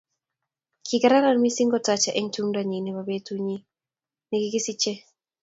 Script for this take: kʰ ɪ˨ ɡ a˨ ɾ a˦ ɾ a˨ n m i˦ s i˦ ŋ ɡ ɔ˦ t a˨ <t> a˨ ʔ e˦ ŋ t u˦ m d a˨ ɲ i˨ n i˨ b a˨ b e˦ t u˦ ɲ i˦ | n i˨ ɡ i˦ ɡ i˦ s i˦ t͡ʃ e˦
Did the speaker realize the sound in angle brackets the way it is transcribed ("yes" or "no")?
no